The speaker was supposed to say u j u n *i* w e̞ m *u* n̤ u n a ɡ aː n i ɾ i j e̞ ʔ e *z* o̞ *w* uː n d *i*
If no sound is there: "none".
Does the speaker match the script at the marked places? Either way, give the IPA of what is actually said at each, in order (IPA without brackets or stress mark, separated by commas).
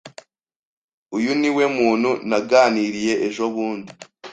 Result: i, uː, ʒ, β, i